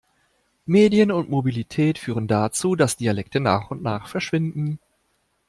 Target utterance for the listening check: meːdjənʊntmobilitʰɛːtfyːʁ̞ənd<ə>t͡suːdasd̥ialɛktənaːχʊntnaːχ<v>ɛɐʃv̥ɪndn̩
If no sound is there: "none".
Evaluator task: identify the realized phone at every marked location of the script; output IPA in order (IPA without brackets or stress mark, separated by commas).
a, f